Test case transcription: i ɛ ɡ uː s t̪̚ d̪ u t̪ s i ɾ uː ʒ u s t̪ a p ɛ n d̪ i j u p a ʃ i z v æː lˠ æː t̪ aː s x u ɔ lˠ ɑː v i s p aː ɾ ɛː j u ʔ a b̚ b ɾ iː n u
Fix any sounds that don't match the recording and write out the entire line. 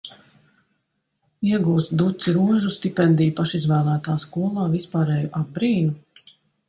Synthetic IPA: i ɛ ɡ uː s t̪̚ d̪ u t̪ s i ɾ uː ʒ u s t̪ i p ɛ n d̪ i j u p a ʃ i z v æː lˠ æː t̪ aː s k u ɔ lˠ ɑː v i s p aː ɾ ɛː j u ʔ a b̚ b ɾ iː n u